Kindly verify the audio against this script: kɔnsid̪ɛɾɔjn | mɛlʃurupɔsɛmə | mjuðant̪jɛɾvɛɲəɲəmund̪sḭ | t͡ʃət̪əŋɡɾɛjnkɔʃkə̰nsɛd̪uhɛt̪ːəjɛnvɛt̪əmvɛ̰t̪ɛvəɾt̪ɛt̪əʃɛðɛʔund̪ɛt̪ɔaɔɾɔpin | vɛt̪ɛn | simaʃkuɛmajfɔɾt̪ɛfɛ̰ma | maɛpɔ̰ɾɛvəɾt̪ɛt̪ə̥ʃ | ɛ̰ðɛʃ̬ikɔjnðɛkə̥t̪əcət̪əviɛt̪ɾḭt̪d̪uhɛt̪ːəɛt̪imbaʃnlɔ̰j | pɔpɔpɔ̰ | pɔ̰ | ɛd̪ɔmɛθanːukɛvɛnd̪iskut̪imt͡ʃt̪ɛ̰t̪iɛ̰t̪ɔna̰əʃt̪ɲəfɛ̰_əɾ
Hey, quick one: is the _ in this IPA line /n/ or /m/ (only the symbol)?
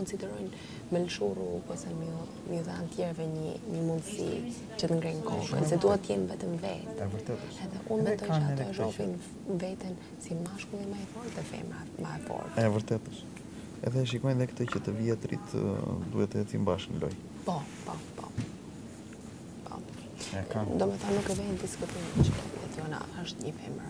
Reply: m